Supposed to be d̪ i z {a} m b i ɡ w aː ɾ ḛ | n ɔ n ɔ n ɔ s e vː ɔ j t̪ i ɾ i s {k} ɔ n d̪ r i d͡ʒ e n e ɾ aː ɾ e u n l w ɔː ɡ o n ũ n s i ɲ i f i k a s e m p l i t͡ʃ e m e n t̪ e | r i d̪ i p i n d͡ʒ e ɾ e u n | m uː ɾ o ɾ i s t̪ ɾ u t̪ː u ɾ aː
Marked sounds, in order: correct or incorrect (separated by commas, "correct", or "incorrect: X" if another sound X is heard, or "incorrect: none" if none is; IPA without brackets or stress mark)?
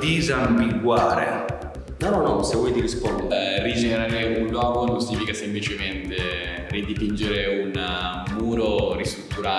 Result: correct, incorrect: p